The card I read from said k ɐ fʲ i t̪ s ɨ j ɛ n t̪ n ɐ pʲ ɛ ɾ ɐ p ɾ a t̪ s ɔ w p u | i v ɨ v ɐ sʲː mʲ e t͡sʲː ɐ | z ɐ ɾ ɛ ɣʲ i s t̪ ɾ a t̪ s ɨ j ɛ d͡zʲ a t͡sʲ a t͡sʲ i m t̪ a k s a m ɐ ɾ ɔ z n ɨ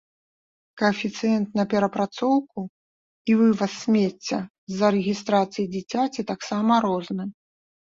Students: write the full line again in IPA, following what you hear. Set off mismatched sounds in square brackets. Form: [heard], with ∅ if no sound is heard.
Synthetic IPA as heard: k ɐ fʲ i t̪ s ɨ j ɛ n t̪ n ɐ pʲ ɛ ɾ ɐ p ɾ a t̪ s ɔ w [k] u | i v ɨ v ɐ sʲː mʲ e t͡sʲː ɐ | z ɐ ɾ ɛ ɣʲ i s t̪ ɾ a t̪ s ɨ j [i] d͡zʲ [i] t͡sʲ a t͡sʲ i [∅] t̪ a k s a m ɐ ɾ ɔ z n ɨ